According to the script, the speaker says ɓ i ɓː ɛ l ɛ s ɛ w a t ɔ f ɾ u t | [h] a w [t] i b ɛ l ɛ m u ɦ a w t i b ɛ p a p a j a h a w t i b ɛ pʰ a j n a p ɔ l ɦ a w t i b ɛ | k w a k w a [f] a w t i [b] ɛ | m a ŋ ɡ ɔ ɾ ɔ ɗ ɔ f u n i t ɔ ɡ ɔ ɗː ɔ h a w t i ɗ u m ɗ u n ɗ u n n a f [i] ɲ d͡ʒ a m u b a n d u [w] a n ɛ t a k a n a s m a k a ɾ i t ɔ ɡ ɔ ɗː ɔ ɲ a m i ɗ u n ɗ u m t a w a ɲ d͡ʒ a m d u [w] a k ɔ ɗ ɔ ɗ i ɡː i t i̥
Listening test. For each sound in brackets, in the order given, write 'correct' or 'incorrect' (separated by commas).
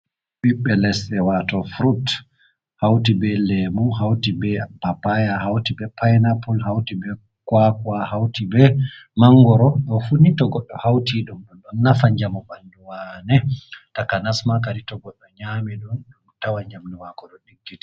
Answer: correct, correct, incorrect, correct, incorrect, correct, correct